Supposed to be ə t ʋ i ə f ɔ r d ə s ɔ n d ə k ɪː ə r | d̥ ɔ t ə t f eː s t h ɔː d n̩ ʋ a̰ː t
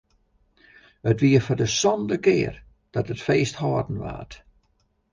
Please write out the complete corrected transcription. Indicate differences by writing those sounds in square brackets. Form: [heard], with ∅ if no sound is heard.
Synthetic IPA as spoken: ə t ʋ i ə f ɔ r d ə s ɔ n d ə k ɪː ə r | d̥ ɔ t ə t f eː s t h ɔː d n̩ ʋ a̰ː t